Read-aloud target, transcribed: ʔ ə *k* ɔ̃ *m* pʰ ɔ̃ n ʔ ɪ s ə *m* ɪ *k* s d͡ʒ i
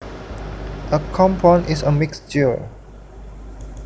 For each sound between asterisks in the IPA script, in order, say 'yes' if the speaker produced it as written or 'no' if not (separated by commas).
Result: no, yes, yes, yes